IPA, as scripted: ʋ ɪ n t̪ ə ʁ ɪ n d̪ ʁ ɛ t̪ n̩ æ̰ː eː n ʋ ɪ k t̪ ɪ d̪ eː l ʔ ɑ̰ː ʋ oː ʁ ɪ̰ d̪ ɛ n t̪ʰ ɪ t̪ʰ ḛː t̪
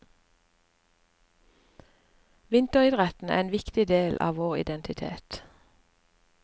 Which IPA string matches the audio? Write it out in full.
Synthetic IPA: ʋ ɪ n t̪ ə ʁ ɪ d̪ ʁ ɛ t̪ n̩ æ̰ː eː n ʋ ɪ k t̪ ɪ d̪ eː l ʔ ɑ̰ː ʋ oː ʁ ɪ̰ d̪ ɛ n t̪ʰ ɪ t̪ʰ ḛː t̪